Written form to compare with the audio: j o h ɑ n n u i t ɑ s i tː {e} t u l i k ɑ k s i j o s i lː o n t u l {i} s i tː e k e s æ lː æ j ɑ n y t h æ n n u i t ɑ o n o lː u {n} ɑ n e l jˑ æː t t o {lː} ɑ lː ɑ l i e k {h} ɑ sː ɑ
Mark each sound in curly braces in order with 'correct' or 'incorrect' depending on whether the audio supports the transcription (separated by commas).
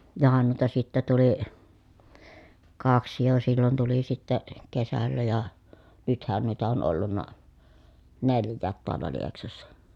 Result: incorrect, correct, incorrect, incorrect, incorrect